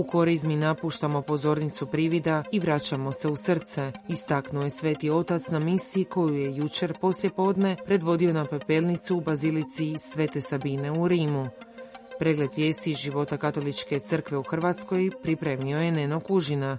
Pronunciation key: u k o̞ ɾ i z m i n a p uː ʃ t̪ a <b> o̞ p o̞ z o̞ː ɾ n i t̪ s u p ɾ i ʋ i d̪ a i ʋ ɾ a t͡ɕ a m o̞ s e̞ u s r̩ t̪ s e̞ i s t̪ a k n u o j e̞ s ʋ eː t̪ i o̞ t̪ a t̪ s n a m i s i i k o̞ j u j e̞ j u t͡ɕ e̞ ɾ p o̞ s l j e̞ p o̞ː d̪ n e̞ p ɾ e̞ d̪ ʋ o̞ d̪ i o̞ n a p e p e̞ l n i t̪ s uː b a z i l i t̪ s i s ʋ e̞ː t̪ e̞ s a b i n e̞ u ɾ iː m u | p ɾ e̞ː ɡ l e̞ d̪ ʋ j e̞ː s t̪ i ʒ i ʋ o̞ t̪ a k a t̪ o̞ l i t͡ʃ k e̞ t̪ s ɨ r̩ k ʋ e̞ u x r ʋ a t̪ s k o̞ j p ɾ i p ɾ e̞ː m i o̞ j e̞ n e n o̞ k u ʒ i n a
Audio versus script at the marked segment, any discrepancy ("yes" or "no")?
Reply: yes